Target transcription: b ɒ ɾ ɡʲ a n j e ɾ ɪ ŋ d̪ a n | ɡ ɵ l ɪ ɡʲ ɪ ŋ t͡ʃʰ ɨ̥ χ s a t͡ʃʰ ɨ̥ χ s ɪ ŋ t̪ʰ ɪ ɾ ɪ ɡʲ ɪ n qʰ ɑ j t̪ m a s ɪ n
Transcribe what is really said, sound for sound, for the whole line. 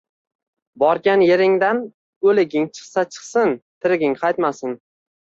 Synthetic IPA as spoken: b ɒ ɾ ɡʲ a n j e ɾ ɪ ŋ d̪ a n | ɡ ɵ l ɪ ɡʲ ɪ ŋ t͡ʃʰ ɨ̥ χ s a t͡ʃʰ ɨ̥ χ s ɪ n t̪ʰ ɪ ɾ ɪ ɡʲ ɪ ŋ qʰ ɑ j t̪ m a s ɪ n